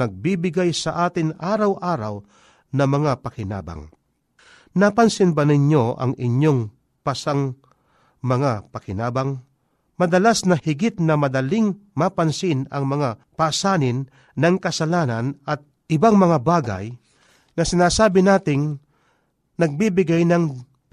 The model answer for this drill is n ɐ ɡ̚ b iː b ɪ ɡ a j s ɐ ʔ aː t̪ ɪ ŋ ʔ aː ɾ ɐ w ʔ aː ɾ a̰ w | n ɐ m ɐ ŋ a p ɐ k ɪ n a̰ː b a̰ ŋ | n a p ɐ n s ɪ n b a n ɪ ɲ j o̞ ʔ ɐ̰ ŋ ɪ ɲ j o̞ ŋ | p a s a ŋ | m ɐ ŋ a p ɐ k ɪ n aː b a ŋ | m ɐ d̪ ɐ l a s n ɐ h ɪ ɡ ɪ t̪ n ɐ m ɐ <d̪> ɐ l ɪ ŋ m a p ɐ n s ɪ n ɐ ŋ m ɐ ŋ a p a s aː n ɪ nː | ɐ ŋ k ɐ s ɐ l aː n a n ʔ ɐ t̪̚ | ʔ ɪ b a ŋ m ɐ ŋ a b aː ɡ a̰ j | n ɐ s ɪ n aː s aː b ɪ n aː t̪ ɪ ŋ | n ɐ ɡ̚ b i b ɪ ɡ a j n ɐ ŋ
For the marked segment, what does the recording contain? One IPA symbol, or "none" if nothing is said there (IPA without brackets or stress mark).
d̪